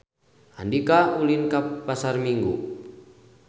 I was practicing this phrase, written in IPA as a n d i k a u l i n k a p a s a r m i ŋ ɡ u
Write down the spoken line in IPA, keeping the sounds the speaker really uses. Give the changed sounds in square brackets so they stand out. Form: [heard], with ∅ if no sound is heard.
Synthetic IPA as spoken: a n d i k a u l i n k a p a s a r m i ŋ ɡ u